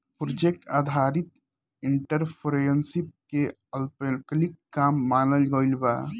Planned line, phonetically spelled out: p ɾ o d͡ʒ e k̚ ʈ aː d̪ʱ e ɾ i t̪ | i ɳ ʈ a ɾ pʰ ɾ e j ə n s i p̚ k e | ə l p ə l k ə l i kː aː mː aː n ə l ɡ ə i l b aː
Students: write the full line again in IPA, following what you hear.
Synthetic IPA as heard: p ɾ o d͡ʒ e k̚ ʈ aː d̪ʱ a ɾ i t̪ | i ɳ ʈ ə ɾ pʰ ɾ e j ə n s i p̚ k e | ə l p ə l k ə l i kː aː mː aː n ə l ɡ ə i l b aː